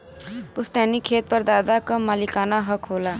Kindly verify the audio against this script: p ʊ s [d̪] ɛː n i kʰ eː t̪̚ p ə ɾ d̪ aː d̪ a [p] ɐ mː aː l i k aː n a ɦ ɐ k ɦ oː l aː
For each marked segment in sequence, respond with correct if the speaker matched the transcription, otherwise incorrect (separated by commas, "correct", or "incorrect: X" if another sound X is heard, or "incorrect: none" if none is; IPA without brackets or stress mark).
incorrect: t̪, incorrect: k